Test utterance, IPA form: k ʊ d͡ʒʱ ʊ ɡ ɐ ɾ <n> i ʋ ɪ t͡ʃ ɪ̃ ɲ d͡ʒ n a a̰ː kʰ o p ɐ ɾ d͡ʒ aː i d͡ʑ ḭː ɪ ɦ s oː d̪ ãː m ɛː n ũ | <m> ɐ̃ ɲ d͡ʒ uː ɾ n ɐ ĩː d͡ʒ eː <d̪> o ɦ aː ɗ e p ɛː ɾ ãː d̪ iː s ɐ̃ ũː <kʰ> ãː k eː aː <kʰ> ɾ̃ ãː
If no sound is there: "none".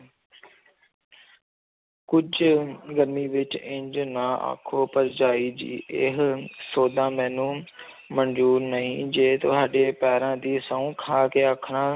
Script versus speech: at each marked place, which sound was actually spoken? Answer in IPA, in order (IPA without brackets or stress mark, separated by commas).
m, m, t̪, kʰ, kʰ